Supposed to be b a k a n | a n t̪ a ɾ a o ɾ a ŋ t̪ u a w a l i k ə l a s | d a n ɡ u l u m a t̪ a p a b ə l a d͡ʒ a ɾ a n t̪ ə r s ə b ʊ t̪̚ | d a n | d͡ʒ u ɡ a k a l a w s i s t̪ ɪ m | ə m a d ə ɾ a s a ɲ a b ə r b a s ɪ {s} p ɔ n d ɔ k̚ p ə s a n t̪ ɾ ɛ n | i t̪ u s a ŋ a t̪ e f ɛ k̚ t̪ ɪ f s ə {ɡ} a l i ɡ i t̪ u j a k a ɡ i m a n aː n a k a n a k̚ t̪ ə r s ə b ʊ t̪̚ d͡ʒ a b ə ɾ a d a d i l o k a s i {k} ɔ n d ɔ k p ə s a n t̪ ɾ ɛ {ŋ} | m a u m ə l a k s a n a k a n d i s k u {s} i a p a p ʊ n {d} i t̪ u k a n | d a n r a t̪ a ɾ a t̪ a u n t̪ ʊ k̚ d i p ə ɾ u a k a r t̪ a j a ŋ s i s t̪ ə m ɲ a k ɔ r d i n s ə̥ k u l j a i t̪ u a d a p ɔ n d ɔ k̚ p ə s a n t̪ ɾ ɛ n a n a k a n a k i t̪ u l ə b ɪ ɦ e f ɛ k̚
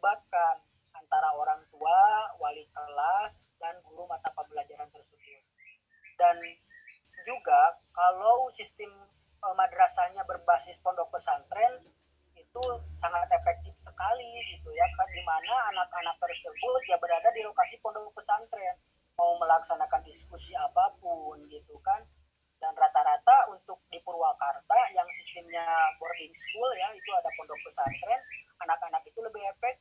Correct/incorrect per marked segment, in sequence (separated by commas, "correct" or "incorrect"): correct, incorrect, incorrect, incorrect, correct, incorrect